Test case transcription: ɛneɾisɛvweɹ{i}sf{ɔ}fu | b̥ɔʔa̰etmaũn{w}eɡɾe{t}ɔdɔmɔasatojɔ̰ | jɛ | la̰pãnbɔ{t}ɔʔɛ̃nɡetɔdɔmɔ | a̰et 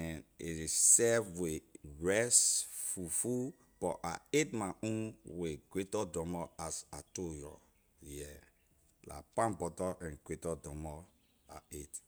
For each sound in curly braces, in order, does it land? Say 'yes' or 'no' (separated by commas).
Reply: no, no, yes, yes, yes